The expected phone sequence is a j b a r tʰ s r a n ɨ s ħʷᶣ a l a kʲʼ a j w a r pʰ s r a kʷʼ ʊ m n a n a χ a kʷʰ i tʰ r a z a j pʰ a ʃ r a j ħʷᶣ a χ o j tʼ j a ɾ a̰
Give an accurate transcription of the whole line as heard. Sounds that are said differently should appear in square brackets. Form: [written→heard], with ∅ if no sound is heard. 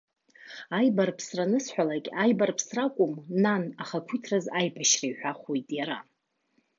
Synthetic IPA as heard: a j b a r [tʰ→pʰ] s r a n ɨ s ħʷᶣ a l a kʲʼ a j [w→b] a r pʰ s r a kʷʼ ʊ m n a n a χ a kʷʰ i tʰ r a z a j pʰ a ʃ r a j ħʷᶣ a χ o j tʼ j a ɾ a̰